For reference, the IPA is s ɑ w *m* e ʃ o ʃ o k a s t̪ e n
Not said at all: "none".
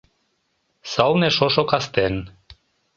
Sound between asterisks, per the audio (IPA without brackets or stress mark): n